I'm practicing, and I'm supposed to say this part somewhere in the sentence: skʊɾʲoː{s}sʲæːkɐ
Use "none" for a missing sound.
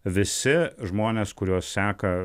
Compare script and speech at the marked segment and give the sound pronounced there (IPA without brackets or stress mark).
s